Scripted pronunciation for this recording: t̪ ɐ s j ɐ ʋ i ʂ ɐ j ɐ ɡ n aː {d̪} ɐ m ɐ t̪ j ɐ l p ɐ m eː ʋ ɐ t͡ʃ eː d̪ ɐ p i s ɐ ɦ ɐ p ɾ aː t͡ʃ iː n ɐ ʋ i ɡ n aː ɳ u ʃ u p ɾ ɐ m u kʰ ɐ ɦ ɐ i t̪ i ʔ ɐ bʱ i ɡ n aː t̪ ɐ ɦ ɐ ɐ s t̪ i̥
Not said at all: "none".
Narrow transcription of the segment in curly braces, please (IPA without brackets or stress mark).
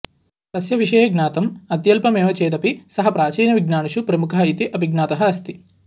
t̪